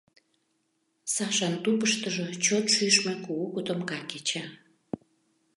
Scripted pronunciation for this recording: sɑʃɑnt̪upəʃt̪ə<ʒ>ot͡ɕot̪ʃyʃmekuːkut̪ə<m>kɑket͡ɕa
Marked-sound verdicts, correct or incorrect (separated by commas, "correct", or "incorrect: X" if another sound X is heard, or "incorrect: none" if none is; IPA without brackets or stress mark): correct, correct